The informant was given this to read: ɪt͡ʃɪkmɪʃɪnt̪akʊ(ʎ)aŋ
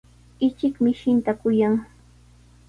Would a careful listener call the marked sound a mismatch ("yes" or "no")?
yes